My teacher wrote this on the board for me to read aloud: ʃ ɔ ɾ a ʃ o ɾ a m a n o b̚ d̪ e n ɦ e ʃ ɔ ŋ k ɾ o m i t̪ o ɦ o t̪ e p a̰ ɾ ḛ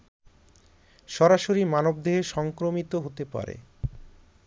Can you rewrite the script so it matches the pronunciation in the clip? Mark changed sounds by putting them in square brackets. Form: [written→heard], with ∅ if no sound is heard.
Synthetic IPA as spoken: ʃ ɔ ɾ a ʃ o ɾ [a→i] m a n o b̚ d̪ e [n→∅] ɦ e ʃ ɔ ŋ k ɾ o m i t̪ o ɦ o t̪ e p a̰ ɾ ḛ